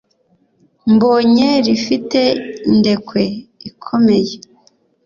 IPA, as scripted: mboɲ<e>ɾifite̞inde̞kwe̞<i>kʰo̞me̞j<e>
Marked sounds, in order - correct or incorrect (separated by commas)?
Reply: correct, correct, correct